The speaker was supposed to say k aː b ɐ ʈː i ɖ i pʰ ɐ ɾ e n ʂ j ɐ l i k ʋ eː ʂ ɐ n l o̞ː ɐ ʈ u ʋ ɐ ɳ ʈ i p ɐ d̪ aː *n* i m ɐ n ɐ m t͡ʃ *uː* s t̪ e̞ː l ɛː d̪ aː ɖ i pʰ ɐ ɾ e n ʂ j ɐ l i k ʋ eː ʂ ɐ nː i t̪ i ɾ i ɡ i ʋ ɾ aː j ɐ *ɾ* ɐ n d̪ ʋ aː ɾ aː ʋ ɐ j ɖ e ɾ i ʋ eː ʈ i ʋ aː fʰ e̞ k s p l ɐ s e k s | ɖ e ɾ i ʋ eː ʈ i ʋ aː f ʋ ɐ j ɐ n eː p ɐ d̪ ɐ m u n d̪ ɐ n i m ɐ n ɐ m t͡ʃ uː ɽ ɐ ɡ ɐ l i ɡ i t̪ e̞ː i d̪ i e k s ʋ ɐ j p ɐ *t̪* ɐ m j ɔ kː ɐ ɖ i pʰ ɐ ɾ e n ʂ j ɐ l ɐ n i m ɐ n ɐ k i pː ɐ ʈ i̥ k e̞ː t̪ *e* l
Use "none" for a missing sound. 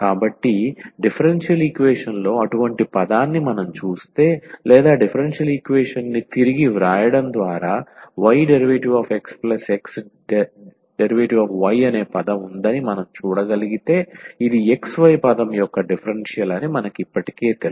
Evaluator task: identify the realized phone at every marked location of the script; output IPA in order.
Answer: nː, uː, ɽ, d̪, e

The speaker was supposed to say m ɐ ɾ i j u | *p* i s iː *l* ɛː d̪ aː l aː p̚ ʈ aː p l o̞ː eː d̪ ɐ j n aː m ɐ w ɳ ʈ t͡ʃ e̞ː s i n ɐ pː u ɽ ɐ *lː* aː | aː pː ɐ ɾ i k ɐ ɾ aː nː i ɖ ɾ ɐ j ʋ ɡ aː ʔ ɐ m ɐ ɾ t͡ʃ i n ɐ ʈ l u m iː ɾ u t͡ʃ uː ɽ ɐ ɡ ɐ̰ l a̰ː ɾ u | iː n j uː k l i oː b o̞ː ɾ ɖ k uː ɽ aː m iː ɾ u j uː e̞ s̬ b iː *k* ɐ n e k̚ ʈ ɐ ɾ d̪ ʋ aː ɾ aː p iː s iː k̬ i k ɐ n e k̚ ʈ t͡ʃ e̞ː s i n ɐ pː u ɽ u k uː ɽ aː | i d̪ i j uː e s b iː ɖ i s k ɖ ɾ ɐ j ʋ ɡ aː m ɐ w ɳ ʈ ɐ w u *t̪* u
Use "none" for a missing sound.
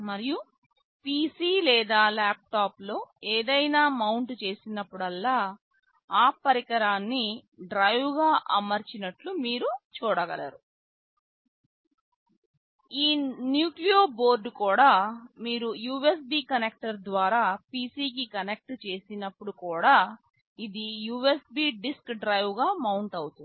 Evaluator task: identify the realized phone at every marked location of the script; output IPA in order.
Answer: p, l, lː, k, t̪

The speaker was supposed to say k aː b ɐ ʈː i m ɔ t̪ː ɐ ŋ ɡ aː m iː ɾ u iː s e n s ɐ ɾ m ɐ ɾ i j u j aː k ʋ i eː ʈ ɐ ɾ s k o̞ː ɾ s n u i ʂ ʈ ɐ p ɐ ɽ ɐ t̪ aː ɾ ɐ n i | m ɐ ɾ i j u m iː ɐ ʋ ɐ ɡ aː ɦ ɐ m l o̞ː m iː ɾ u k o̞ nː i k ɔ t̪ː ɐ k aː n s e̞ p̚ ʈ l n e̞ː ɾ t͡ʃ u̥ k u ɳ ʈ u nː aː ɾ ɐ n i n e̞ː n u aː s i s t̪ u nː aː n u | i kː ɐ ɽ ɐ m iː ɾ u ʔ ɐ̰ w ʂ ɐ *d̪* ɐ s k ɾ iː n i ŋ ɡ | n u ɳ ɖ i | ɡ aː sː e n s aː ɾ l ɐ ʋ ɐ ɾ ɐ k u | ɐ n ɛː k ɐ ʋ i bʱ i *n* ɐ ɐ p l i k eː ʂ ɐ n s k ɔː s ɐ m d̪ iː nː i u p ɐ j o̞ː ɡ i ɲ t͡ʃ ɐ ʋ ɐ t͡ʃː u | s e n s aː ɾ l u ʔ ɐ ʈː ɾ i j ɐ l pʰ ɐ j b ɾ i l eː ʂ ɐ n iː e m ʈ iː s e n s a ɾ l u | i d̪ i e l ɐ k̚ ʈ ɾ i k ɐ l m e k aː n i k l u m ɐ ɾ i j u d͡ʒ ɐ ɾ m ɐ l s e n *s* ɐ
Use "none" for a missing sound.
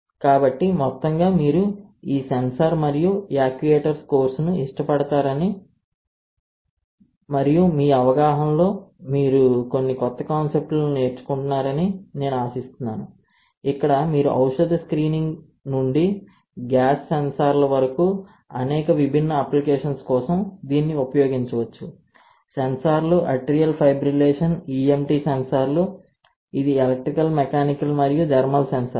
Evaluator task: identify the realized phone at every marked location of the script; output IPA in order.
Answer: d̪, nː, s

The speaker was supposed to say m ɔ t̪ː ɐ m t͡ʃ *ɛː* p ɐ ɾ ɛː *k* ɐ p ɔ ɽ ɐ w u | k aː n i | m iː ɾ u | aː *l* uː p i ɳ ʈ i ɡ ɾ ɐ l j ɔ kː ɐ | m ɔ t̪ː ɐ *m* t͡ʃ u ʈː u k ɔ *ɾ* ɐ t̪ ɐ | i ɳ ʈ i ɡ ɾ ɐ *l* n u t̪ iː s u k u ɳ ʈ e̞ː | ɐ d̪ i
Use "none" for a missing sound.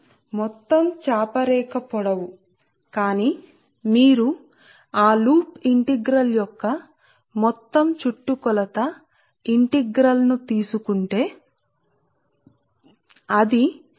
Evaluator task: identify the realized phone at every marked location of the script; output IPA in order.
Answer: aː, k, l, m, l, l

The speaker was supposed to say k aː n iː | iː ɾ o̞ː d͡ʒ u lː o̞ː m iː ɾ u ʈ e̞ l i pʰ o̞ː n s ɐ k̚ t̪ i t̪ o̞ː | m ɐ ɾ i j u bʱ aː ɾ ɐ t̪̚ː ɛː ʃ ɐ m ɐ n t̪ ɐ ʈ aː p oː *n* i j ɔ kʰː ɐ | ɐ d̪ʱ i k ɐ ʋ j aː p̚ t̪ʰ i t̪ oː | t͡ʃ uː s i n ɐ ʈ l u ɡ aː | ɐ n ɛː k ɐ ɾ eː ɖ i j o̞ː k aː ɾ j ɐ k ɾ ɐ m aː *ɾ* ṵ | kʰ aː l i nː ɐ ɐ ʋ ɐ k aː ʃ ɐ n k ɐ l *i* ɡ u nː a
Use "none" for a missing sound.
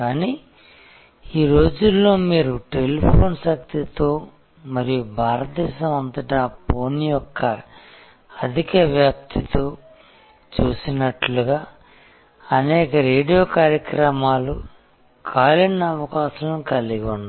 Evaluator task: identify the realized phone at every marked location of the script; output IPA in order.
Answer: n, l, i

